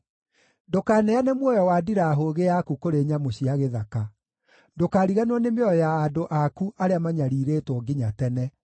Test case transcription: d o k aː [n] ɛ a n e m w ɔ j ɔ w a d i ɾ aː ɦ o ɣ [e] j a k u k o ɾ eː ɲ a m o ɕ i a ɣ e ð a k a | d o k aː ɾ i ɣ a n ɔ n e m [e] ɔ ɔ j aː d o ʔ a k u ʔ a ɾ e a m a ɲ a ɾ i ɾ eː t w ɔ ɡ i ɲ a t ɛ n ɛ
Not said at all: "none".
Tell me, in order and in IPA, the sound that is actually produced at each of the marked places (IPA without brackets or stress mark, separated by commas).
n, e, e